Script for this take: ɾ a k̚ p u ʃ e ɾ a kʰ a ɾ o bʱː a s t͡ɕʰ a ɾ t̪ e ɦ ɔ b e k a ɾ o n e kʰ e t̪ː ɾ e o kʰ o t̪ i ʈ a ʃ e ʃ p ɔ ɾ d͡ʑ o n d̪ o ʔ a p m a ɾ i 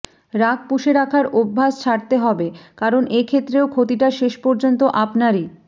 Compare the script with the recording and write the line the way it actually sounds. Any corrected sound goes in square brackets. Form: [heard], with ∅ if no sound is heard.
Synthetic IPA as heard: ɾ a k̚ p u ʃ e ɾ a kʰ a ɾ o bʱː a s t͡ɕʰ a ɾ t̪ e ɦ ɔ b e k a ɾ o n e kʰ e t̪ː ɾ e o kʰ o t̪ i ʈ a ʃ e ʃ p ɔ ɾ d͡ʑ o n [t̪] o ʔ a p [n] a ɾ i